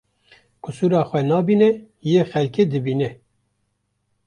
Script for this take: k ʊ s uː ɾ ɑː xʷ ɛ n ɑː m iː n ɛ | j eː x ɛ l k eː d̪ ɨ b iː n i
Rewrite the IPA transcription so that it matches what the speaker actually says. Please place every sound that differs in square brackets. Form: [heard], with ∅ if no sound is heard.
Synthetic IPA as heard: k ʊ s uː ɾ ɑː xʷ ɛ n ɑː [b] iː n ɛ | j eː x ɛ l k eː d̪ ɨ b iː n [ɛ]